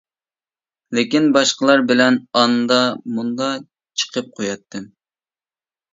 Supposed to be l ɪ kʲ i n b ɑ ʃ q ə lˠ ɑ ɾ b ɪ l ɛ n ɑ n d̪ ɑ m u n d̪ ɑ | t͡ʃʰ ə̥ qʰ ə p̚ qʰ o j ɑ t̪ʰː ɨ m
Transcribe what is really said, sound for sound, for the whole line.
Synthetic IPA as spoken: l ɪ kʲ i n b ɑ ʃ q ə lˠ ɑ ɾ b ɪ l ɛ n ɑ n d̪ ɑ m u n d̪ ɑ | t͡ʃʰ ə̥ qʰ ə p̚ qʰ o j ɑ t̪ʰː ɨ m